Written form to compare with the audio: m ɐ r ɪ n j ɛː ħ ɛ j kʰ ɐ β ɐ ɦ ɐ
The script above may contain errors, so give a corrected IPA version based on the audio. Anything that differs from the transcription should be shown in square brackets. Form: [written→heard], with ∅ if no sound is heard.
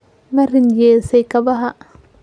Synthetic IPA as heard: m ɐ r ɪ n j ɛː [ħ→s] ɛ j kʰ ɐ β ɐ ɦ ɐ